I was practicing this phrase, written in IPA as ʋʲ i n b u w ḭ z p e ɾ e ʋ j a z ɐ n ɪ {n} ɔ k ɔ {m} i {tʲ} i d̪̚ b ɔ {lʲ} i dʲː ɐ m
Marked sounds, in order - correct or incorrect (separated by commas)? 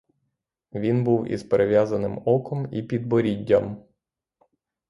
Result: incorrect, correct, incorrect, incorrect